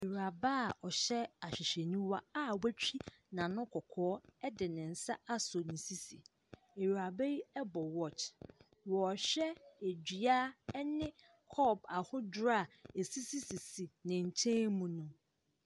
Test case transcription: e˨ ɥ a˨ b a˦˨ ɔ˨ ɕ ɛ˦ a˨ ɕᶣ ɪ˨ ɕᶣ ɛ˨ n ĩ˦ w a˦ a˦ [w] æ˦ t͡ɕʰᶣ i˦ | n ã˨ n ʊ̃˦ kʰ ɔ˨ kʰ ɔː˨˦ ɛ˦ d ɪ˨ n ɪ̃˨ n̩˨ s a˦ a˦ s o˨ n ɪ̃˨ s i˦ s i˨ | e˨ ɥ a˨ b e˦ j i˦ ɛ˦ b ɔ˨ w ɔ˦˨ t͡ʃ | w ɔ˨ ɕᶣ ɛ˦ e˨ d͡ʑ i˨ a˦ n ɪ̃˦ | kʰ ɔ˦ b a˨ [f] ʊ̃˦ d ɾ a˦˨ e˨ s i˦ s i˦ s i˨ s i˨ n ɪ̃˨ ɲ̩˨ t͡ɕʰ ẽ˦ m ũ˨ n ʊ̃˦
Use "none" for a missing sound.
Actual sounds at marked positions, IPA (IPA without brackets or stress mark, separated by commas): w, h